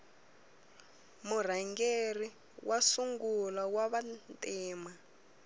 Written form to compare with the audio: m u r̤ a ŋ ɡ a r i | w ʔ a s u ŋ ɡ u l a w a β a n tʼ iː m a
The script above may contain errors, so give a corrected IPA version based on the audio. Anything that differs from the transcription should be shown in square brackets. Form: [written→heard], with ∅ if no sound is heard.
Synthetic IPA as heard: m u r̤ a ŋ ɡ [a→e] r i | w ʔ a s u ŋ ɡ u l a w a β a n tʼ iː m a